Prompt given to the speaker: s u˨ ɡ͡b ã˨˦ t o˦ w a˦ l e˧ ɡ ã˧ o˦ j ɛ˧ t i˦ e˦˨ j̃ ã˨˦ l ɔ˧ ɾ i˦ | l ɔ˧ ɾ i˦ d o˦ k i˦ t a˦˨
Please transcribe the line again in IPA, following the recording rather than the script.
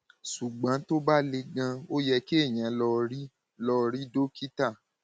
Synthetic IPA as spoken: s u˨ ɡ͡b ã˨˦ t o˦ b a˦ l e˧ ɡ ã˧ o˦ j ɛ˧ k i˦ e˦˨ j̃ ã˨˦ l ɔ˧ ɾ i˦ | l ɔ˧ ɾ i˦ d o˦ k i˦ t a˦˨